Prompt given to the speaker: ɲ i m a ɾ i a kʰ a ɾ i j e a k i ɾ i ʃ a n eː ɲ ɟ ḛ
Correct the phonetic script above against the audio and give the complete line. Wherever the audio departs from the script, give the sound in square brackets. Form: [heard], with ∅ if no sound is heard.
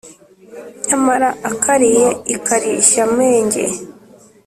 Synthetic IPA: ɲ [a] m a ɾ [a] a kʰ a ɾ i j e [i] k [a] ɾ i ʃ a [m] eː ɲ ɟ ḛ